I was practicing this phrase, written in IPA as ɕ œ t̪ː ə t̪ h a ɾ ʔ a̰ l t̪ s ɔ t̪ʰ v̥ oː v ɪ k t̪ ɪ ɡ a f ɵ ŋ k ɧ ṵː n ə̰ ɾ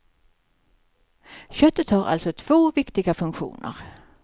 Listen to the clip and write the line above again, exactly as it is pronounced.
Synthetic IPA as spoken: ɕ œ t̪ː ə t̪ h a ɾ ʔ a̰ l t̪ s ɔ t̪ʰ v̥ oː v ɪ k t̪ ɪ ɡ a f ɵ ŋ k ɧ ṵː n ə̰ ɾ